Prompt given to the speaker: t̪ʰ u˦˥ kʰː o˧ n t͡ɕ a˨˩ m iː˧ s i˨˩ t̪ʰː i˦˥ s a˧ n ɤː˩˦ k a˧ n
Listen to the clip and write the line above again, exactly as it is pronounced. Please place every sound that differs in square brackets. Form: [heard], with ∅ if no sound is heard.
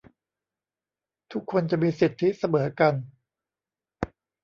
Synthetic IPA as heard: t̪ʰ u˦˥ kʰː o˧ n t͡ɕ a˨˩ m iː˧ s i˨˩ t̪ʰː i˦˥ s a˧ [m] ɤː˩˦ k a˧ n